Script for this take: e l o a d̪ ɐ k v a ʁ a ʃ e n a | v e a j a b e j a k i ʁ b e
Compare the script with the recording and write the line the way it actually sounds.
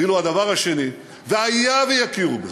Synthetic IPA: i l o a d̪ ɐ v a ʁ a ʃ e n i | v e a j a v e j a k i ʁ b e